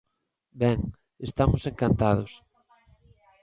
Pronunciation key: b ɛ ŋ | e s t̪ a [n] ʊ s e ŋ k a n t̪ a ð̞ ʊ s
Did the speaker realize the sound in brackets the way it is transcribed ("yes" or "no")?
no